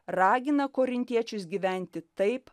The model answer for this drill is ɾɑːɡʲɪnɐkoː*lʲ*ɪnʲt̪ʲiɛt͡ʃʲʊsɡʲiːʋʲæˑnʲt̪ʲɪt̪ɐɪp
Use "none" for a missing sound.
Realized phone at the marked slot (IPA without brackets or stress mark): ɾʲ